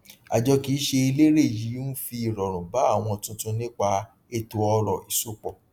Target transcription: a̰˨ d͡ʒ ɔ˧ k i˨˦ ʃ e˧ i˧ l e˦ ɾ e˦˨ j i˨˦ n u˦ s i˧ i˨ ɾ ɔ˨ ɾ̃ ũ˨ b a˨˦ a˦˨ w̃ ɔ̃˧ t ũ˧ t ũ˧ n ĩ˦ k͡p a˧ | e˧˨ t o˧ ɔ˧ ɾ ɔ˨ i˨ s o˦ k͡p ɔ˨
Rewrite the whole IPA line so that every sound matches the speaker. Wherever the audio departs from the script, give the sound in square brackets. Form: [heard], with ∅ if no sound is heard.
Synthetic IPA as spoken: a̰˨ d͡ʒ ɔ˧ k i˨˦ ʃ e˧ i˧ l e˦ ɾ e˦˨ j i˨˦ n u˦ [f] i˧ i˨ ɾ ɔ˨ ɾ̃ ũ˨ b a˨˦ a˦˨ w̃ ɔ̃˧ t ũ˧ t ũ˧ n ĩ˦ k͡p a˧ | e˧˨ t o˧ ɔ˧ ɾ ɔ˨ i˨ s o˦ k͡p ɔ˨